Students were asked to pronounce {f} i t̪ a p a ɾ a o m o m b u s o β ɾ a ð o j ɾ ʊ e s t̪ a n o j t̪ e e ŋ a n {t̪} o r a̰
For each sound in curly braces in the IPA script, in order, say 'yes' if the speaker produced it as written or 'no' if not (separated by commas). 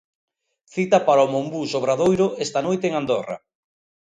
no, no